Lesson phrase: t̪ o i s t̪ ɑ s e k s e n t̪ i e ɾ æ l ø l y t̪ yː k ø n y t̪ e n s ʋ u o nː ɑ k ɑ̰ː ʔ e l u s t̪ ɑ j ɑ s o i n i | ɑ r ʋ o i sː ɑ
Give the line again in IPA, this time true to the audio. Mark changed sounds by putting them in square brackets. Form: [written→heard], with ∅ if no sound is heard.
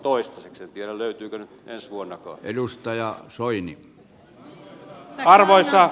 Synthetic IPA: t̪ o i s t̪ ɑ s e k s e n t̪ i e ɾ æ l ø [l→∅] y t̪ yː k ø n y t̪ e n s ʋ u o nː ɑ k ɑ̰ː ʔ e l u s t̪ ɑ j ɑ s o i n i | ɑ r ʋ o i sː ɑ